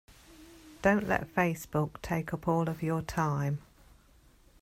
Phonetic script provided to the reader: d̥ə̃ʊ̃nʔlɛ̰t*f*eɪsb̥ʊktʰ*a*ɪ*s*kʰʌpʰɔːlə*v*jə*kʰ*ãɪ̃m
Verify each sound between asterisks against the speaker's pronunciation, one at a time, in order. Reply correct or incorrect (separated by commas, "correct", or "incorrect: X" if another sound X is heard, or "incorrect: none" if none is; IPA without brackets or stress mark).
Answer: correct, incorrect: e, incorrect: none, correct, incorrect: tʰ